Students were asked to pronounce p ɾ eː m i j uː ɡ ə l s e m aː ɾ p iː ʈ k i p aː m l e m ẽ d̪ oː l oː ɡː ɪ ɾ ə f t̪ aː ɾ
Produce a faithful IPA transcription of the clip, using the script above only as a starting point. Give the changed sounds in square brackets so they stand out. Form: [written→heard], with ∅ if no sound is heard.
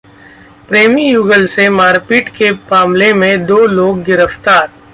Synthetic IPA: p ɾ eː m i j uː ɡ ə l s e m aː ɾ p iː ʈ k [i→e] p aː m l e m ẽ d̪ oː l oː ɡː ɪ ɾ ə f t̪ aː ɾ